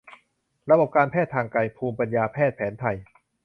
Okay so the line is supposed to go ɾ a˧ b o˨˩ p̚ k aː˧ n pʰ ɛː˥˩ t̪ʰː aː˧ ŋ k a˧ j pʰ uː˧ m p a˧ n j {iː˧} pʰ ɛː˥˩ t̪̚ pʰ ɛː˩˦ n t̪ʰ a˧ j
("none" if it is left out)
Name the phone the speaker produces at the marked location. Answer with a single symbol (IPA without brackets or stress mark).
aː˧